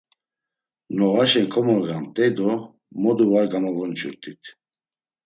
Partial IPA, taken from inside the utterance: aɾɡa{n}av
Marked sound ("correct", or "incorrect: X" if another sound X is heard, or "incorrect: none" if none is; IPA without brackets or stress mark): incorrect: m